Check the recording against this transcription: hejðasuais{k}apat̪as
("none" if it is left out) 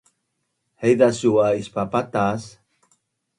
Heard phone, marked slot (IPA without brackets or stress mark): p